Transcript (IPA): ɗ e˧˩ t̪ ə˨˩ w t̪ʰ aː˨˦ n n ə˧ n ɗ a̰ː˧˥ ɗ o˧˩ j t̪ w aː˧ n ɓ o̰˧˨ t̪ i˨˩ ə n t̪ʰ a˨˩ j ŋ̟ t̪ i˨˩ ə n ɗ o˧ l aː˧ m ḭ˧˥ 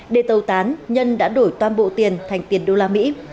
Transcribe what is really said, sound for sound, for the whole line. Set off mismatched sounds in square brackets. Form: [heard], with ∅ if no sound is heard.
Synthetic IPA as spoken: ɗ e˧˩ t̪ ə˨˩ w [t̪] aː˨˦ n [ɲ] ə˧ n ɗ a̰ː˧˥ ɗ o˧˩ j t̪ w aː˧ n ɓ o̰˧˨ t̪ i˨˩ ə n t̪ʰ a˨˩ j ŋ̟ t̪ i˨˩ ə n ɗ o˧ l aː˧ m ḭ˧˥